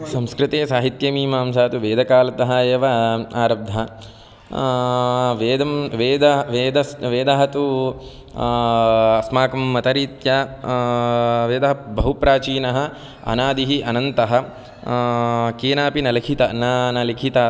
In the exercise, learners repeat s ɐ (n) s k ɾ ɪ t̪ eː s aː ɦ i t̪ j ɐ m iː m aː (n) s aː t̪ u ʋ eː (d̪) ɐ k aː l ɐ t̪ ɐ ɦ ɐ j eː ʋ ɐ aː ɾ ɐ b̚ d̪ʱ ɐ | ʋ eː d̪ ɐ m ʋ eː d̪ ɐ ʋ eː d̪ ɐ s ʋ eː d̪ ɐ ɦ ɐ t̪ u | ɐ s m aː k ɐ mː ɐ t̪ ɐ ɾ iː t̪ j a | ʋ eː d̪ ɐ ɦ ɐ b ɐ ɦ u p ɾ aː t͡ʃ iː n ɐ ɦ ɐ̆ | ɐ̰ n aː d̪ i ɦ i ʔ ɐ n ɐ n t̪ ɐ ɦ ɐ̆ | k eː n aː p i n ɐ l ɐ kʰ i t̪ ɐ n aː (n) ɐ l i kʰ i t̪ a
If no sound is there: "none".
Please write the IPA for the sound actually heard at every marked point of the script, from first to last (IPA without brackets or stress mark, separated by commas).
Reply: m, m, d̪, n